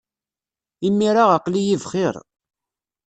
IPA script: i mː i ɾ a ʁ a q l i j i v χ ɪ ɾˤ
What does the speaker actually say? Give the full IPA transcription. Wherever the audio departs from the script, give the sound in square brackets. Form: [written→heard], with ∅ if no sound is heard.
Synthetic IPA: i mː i ɾ a ʁ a q l i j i v χ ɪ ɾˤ